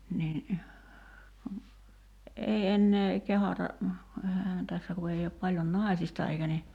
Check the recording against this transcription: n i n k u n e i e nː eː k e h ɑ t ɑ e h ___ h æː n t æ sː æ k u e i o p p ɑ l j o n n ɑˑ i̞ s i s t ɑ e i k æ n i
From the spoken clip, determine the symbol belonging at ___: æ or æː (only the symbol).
æ